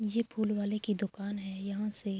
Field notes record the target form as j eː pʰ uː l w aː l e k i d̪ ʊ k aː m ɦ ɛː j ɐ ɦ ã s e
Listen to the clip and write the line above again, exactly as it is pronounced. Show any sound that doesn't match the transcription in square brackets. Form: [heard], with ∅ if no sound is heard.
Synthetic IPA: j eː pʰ uː l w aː l e k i d̪ ʊ k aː [n] ɦ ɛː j ɐ ɦ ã s e